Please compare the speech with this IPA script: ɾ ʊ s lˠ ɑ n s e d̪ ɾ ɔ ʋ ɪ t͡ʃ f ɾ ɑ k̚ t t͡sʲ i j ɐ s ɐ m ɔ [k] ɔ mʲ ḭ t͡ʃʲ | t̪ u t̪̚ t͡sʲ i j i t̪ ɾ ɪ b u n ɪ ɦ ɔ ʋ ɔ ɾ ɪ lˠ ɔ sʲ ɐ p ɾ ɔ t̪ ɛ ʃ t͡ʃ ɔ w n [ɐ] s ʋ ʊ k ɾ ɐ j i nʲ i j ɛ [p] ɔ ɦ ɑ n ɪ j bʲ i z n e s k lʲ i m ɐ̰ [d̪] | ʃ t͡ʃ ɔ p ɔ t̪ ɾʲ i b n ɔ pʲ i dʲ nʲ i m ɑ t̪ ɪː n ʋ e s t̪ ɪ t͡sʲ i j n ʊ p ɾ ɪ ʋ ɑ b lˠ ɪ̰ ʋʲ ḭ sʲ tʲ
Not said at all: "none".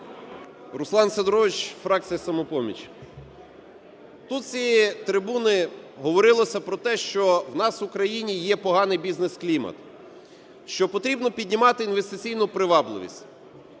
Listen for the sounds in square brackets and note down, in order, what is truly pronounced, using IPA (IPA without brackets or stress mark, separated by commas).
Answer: p, ɑ, p, t̪